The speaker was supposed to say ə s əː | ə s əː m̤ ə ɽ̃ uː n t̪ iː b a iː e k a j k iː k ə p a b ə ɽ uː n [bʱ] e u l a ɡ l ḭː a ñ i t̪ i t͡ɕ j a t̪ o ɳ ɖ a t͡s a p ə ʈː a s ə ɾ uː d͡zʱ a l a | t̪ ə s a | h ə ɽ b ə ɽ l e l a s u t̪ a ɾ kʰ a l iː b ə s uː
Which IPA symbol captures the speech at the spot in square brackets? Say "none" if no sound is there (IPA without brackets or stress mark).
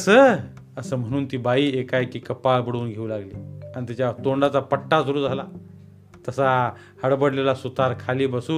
ɡʱ